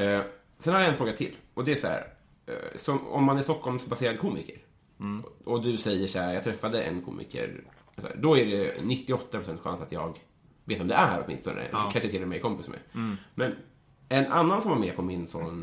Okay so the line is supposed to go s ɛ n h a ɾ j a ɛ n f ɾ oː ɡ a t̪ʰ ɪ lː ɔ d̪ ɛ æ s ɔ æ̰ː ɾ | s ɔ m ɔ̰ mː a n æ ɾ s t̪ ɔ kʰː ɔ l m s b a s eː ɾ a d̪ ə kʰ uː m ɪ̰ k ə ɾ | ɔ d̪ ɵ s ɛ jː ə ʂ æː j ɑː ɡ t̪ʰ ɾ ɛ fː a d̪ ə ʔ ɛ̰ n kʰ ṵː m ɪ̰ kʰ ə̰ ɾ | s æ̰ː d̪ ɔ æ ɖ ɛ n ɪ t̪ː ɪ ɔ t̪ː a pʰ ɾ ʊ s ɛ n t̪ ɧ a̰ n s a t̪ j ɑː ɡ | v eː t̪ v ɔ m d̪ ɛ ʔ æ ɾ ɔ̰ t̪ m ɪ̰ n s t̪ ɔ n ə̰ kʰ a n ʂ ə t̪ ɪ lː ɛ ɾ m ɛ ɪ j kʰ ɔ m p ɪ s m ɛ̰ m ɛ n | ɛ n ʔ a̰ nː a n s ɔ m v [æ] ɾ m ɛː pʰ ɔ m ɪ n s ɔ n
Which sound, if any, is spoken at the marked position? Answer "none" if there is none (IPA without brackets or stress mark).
a